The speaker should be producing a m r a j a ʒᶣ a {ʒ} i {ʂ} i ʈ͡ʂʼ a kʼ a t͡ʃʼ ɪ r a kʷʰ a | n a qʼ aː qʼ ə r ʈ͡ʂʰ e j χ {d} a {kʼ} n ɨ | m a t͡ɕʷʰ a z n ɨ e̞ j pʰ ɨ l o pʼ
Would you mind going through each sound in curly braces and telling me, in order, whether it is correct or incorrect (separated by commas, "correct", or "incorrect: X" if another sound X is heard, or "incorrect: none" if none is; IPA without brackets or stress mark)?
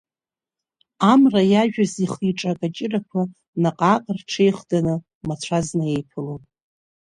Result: incorrect: z, incorrect: χ, correct, incorrect: none